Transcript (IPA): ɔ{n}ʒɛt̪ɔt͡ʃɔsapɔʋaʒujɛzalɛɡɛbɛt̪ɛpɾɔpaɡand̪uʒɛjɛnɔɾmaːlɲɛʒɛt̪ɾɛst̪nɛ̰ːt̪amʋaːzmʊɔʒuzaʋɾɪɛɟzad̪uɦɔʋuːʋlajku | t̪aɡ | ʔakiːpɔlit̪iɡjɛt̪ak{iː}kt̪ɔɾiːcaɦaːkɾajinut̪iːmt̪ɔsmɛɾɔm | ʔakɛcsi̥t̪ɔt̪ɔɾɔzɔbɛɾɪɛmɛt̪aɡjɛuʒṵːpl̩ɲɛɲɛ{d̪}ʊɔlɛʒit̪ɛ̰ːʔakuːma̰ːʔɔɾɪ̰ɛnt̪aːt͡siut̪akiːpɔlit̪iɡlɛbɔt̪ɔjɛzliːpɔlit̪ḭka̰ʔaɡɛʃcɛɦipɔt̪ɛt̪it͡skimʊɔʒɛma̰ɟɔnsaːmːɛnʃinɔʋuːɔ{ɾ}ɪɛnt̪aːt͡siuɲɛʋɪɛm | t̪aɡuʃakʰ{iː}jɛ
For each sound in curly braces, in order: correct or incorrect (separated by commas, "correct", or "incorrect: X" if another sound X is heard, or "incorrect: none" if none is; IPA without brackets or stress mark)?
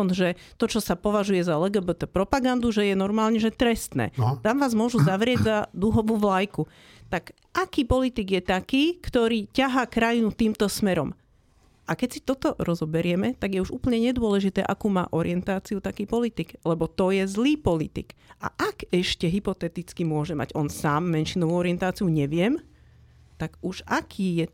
correct, correct, correct, correct, correct